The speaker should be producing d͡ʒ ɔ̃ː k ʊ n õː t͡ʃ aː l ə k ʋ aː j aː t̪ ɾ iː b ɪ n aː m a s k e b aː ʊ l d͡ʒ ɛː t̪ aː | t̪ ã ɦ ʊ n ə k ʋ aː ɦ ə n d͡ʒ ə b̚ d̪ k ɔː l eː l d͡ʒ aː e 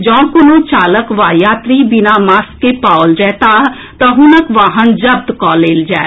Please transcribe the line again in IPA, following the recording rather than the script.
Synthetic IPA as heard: d͡ʒ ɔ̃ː k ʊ n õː t͡ʃ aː l ə k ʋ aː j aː t̪ ɾ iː b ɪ n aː m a s k e p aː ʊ l d͡ʒ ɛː t̪ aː | t̪ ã ɦ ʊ n ə k ʋ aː ɦ ə n d͡ʒ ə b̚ d̪ k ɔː l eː l d͡ʒ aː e